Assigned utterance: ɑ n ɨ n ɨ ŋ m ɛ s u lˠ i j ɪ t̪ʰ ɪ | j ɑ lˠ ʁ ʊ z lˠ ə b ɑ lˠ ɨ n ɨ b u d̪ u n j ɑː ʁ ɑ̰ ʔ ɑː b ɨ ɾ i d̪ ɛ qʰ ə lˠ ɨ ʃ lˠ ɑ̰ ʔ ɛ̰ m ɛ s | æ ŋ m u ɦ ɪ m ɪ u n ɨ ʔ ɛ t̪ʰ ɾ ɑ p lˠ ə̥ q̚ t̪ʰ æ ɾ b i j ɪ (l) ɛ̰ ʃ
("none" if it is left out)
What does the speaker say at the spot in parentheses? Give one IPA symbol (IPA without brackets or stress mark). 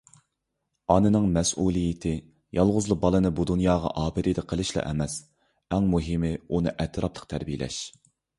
l